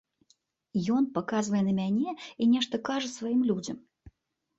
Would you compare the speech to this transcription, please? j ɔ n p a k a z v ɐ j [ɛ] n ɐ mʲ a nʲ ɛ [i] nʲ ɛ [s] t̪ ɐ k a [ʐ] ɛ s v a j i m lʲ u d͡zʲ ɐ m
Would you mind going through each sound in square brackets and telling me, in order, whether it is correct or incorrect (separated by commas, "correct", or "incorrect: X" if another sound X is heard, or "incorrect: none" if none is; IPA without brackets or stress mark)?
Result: correct, correct, incorrect: ʂ, correct